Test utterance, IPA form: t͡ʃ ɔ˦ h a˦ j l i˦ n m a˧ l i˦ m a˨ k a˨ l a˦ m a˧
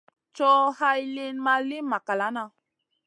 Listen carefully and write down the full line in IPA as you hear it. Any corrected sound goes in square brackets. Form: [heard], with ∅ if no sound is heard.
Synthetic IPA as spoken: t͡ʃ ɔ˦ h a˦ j l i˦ n m a˧ l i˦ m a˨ k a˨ l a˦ [n] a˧